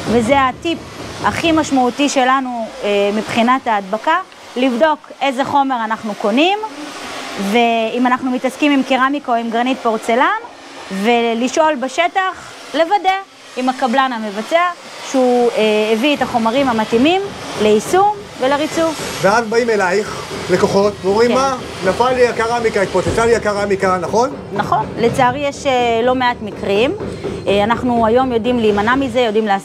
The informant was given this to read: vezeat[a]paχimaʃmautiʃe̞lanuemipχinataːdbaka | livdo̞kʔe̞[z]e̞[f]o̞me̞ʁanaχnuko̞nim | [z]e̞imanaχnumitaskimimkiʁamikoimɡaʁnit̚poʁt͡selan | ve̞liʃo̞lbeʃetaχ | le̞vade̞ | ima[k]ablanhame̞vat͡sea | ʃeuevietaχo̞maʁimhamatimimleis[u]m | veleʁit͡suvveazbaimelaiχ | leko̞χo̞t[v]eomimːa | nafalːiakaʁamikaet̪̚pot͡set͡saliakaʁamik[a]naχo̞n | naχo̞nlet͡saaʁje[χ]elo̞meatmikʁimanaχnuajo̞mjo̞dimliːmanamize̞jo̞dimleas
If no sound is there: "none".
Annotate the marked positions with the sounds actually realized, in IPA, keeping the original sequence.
i, z, χ, v, k, u, v, a, ʃ

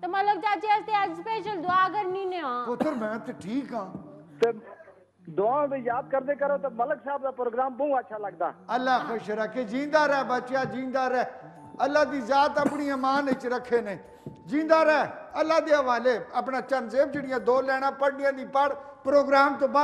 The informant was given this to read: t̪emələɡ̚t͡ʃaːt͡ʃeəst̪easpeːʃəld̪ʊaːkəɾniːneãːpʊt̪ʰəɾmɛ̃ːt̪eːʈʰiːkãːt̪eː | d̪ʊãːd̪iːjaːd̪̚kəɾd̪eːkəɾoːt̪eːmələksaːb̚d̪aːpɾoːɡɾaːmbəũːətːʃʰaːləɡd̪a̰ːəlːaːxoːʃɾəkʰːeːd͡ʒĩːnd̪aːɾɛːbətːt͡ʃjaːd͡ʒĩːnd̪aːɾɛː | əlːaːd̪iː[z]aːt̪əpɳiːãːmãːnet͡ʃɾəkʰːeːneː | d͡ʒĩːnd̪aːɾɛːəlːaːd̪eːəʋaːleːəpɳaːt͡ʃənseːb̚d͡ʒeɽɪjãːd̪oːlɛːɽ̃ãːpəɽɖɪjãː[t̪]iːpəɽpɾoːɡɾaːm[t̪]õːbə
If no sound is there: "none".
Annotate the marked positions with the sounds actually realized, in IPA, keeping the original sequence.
z, d̪, t̪

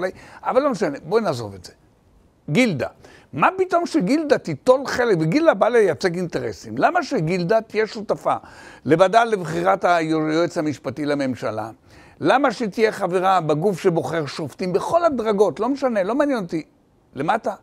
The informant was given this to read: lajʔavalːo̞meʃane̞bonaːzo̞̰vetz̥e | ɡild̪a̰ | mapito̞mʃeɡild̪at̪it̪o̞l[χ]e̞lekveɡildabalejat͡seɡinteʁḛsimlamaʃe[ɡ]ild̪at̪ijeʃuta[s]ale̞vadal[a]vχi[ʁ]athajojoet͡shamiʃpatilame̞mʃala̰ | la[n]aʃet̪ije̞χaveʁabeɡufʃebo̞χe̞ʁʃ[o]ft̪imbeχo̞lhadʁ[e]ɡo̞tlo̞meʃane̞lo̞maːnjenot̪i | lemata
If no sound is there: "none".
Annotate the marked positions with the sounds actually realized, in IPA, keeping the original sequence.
χ, ɡ, f, e, ʁ, m, o, a

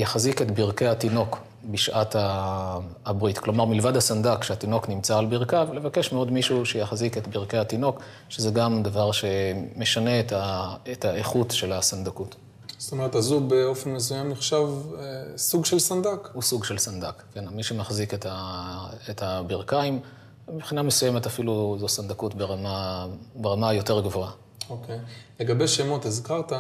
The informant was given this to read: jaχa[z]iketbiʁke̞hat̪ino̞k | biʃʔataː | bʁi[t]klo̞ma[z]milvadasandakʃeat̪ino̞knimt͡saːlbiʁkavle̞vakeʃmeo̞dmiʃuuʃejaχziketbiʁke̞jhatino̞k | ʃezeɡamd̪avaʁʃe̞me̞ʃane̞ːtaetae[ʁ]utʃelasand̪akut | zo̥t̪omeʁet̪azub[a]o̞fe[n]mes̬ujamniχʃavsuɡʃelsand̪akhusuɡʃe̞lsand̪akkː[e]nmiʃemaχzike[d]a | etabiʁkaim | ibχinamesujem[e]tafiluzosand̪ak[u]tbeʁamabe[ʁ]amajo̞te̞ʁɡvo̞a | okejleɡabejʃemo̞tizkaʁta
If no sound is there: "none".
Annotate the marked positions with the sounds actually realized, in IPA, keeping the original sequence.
z, t, ʁ, χ, e, n, e, t, e, u, ʁ

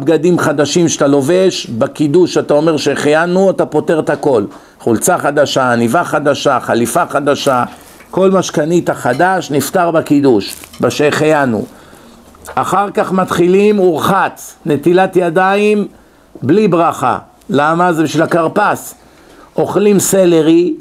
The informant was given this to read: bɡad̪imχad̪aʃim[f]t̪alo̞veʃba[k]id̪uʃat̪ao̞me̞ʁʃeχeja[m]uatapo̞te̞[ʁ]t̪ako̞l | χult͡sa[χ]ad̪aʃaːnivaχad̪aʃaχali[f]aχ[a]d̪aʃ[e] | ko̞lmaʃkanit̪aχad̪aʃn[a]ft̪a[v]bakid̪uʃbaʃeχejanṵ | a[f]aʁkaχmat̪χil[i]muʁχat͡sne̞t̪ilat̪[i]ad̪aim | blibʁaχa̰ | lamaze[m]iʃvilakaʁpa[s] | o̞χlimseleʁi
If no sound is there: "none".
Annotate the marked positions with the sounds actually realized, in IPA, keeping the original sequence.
ʃ, k, n, ʁ, χ, f, a, a, i, ʁ, χ, i, j, b, s

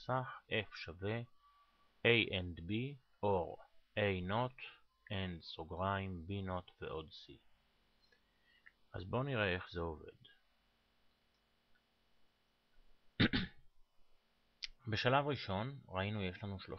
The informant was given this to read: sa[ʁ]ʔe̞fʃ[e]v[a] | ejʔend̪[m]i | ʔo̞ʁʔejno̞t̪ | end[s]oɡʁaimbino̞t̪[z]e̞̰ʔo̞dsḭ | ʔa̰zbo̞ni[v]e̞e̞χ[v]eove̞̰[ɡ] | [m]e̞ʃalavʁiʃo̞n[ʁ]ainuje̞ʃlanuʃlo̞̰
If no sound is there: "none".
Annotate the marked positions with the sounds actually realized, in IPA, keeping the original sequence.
χ, a, e, b, s, v, ʁ, z, d, b, ʁ

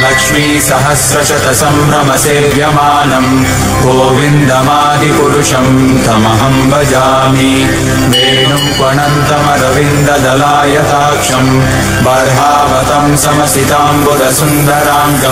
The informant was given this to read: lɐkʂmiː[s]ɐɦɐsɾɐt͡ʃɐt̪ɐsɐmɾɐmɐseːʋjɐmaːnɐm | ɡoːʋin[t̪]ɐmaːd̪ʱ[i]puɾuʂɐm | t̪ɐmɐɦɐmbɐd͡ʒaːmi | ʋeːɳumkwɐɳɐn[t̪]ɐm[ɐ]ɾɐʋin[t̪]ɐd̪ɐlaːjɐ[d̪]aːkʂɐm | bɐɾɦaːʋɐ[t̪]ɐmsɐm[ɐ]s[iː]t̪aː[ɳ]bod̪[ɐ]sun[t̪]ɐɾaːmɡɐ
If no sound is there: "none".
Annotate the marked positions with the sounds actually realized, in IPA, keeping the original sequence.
s, d̪, i, t̪, ɐ, d̪, t̪, t̪, ɐ, i, m, ɐ, d̪

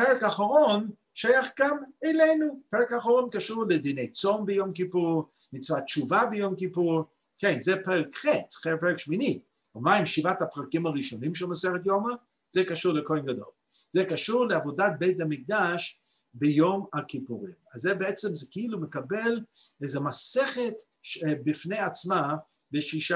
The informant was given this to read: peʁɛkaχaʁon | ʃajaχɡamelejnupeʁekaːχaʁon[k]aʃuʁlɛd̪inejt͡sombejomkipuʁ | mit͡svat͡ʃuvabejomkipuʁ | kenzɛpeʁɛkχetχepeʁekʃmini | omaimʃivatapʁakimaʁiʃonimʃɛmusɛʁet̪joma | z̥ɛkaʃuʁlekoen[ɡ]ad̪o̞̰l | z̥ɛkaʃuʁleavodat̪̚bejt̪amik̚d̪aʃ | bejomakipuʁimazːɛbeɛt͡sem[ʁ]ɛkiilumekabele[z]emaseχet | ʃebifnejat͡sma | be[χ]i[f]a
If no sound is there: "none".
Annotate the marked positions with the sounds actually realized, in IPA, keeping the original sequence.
k, ɡ, z, z, ʃ, ʃ

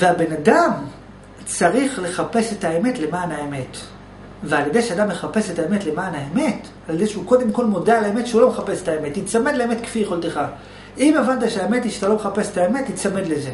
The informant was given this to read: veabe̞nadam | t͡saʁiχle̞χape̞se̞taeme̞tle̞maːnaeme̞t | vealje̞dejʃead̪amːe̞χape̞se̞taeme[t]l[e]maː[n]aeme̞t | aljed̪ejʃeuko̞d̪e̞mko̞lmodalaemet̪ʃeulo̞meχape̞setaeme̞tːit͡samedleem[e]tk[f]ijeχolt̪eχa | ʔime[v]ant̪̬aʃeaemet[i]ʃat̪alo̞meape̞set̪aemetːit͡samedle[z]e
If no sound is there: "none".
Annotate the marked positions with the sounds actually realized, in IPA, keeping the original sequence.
t, e, n, e, f, v, i, z

